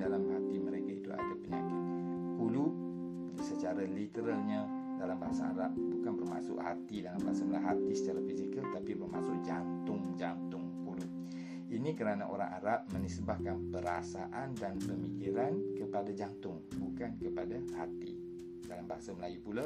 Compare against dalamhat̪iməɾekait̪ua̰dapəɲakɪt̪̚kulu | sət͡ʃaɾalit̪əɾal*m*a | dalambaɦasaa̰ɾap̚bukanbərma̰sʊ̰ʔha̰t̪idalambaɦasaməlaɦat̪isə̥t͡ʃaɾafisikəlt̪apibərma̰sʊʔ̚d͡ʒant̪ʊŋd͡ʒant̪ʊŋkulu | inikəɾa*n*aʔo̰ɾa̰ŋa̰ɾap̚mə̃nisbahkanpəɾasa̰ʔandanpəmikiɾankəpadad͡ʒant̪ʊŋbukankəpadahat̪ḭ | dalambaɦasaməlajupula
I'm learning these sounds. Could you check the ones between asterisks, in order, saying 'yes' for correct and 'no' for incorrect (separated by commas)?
no, yes